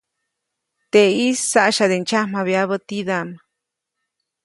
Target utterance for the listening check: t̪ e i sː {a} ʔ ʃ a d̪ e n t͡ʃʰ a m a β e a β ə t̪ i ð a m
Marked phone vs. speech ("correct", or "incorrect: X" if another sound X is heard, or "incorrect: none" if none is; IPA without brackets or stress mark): correct